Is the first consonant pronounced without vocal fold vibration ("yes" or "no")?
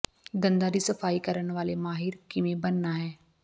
no